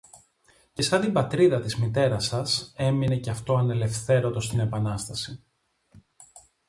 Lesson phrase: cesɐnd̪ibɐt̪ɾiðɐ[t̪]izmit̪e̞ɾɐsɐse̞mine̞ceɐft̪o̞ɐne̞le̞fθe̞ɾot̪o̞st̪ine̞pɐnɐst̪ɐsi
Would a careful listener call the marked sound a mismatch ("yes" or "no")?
no